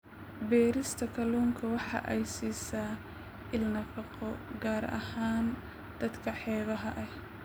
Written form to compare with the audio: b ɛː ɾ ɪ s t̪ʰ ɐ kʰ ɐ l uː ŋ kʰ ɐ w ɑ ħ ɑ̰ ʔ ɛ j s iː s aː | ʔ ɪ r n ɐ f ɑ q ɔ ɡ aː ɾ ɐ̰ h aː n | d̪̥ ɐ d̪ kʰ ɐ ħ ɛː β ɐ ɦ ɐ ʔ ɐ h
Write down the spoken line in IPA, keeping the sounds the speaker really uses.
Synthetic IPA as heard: b ɛː ɾ ɪ s t̪ʰ ɐ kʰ ɐ l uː ŋ kʰ ɐ w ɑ ħ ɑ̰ ʔ ɛ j s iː s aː | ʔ ɪ l n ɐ f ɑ q ɔ ɡ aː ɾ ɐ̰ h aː n | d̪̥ ɐ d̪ kʰ ɐ ħ ɛː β ɐ ɦ ɐ ʔ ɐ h